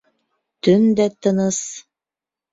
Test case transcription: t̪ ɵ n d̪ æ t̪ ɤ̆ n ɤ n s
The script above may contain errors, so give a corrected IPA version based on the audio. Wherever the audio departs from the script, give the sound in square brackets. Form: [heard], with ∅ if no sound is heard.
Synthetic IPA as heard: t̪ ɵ n d̪ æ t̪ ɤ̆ n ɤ [∅] s